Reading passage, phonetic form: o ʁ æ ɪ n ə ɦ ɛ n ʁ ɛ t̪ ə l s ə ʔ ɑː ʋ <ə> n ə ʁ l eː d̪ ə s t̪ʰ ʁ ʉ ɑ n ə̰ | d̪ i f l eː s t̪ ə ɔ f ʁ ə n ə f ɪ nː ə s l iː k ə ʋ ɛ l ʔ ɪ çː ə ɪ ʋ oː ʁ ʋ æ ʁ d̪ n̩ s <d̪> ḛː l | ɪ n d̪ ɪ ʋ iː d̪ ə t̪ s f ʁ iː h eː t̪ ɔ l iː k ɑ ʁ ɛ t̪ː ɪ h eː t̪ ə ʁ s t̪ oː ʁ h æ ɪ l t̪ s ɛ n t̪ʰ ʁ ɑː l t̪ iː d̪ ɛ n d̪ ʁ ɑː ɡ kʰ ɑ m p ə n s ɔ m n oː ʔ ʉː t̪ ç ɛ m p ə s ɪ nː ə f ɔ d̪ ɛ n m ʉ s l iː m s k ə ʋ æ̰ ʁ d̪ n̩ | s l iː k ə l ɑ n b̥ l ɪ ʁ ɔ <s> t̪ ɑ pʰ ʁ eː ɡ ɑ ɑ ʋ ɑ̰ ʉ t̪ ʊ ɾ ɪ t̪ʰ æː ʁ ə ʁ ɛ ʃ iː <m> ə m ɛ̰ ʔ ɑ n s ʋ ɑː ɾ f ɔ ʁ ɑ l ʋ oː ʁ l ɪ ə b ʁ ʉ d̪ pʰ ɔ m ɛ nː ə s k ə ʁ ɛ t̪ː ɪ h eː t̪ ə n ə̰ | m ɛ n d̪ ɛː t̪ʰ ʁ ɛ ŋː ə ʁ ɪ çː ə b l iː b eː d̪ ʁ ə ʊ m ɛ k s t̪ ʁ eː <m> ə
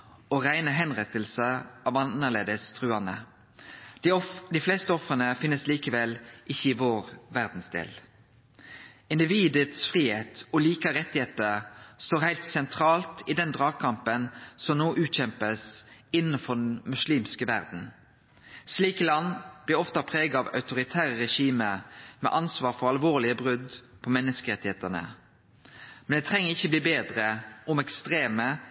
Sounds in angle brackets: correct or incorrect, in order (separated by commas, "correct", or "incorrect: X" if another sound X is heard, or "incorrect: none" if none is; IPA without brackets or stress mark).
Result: incorrect: ɑ, correct, incorrect: f, correct, correct